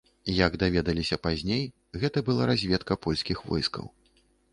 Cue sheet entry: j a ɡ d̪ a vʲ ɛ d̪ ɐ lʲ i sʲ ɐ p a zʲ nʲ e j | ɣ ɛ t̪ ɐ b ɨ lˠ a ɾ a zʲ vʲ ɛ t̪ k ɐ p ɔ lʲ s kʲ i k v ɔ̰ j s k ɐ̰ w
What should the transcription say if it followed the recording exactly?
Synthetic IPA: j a ɡ d̪ a vʲ ɛ d̪ ɐ lʲ i sʲ ɐ p a zʲ nʲ e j | ɣ ɛ t̪ ɐ b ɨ lˠ a ɾ a zʲ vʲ ɛ t̪ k ɐ p ɔ lʲ s kʲ i x v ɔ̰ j s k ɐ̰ w